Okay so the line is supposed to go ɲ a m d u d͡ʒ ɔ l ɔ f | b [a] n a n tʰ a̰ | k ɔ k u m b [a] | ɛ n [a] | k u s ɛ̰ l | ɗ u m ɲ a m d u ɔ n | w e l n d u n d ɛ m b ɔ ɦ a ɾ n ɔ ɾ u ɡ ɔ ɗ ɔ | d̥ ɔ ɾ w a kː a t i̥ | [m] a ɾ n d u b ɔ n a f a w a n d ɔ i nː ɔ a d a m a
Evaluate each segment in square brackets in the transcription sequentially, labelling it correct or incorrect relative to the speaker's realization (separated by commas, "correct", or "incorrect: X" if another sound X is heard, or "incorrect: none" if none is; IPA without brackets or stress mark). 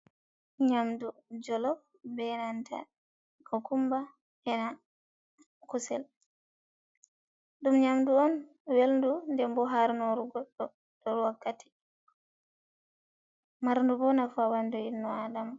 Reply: incorrect: ɛ, correct, correct, correct